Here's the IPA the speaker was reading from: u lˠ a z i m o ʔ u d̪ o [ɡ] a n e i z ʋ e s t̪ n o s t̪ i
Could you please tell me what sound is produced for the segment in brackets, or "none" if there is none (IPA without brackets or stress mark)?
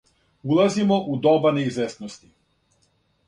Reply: b